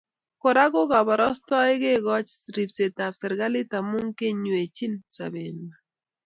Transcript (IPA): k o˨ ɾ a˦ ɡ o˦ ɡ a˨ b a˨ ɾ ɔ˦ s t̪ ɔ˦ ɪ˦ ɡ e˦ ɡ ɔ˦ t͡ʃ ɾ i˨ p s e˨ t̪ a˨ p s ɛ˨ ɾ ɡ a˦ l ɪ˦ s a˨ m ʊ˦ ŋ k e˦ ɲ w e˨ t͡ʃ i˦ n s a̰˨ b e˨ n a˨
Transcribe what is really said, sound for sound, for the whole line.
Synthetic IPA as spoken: k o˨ ɾ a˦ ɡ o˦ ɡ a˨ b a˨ ɾ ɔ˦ s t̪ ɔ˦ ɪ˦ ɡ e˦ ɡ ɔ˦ t͡ʃ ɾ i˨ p s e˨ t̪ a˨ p s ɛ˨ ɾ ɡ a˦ l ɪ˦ t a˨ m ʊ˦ ŋ k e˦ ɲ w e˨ t͡ʃ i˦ n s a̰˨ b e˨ n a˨